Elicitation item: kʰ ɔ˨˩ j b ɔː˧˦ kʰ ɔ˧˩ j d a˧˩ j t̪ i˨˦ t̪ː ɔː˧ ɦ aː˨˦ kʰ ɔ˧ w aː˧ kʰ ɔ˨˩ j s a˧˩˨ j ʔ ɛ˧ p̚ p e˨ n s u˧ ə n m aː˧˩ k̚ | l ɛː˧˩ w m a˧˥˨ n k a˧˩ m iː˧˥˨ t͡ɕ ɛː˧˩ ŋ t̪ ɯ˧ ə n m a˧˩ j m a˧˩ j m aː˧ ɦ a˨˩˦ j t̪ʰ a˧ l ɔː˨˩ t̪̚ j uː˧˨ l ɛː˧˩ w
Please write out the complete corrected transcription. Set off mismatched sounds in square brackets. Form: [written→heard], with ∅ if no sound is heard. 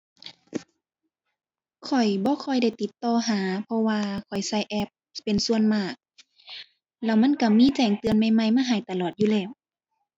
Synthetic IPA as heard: kʰ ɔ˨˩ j b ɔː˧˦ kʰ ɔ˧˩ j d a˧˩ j t̪ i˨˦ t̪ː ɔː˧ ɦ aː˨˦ [kʰ→pʰ] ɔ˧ w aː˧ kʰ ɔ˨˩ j s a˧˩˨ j ʔ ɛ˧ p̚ p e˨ n s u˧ ə n m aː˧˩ k̚ | l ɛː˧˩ w m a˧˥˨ n k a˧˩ m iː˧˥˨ t͡ɕ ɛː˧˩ ŋ t̪ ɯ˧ ə n m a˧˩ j m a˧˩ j m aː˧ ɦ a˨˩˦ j [t̪ʰ→t̪] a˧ l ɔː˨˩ t̪̚ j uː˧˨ l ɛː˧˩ w